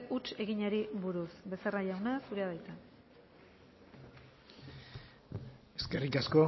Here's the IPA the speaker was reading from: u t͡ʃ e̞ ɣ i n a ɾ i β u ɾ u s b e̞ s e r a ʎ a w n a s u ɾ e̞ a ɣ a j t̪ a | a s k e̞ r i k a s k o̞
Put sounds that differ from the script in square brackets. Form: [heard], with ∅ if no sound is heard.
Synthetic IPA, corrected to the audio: u t͡ʃ e̞ ɣ i [ɲ] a ɾ i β u ɾ u s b e̞ s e r a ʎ a w n a s u ɾ e̞ a [ð] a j t̪ a | [e] s k e̞ r i k a s k o̞